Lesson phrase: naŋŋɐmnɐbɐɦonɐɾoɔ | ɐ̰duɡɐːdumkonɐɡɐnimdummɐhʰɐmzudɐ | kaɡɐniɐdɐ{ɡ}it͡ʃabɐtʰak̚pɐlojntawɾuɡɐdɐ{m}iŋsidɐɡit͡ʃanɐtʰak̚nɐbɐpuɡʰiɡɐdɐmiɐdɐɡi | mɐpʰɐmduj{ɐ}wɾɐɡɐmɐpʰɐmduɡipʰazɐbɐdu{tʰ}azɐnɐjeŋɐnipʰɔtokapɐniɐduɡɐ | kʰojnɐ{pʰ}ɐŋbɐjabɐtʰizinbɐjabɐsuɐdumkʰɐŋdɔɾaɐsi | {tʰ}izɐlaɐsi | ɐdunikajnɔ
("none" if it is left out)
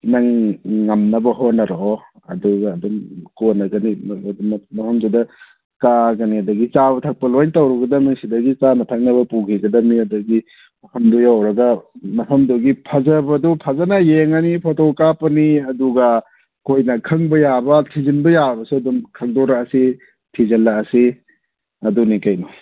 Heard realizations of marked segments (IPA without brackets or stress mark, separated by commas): ɡ, m, a, pʰ, kʰ, tʰ